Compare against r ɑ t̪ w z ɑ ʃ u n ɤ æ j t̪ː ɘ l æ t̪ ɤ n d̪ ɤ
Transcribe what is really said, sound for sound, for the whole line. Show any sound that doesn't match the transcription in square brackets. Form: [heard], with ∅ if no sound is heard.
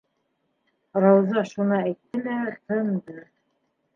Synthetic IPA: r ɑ [∅] w z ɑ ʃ u n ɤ æ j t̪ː ɘ l æ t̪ ɤ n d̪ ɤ